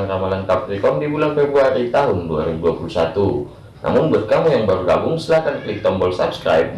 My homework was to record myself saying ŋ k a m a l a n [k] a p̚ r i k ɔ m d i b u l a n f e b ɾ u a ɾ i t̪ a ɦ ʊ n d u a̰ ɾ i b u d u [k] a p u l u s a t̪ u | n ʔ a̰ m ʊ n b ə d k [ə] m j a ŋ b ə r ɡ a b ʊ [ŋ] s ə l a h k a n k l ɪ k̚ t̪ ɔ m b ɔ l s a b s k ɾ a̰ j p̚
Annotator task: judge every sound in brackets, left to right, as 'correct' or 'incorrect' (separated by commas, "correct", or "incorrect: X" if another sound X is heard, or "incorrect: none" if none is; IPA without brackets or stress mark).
correct, incorrect: none, incorrect: a, correct